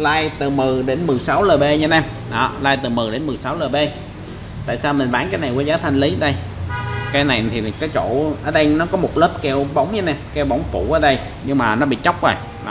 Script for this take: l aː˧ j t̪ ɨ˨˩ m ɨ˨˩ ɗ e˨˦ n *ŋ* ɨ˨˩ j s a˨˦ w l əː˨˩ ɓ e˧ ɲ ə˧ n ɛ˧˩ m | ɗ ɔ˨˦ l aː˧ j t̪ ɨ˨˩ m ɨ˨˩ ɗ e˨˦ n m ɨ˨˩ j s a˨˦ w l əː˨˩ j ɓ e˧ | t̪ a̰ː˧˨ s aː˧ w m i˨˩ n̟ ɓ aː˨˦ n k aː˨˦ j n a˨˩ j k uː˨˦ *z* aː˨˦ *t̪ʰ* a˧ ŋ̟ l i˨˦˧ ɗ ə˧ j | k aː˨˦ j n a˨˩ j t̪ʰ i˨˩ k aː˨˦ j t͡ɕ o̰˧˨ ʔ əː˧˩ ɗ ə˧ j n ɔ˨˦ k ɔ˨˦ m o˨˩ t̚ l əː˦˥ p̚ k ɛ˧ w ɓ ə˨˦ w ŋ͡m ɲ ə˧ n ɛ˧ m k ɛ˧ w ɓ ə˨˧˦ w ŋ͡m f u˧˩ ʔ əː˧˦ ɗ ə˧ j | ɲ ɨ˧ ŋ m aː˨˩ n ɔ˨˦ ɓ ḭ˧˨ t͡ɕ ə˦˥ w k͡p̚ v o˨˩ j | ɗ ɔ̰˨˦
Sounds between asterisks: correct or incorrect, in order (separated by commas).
incorrect, correct, correct